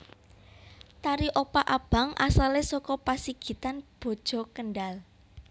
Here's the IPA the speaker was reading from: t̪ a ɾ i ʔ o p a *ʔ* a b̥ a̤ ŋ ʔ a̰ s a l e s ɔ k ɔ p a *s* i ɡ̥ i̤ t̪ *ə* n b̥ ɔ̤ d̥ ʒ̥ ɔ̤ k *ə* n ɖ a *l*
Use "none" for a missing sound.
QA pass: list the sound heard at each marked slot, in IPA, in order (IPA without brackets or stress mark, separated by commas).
ʔ, s, a, ə, l